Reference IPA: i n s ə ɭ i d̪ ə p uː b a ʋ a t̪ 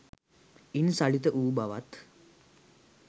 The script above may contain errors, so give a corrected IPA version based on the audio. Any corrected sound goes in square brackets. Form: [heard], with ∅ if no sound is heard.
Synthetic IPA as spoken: i n s [a] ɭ i [t̪] ə [ʔ] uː b a ʋ a t̪